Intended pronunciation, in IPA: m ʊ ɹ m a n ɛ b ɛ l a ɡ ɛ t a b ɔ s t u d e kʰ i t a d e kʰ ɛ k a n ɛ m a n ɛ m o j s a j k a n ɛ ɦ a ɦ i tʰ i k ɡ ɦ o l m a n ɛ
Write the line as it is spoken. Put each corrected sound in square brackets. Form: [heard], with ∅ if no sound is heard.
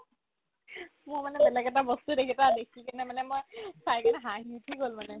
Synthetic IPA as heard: m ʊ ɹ m a n ɛ b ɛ l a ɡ ɛ t a b ɔ s t u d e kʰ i t a d e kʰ [i] k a n ɛ m a n ɛ m o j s a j k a n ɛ ɦ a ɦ i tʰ i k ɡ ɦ o l m a n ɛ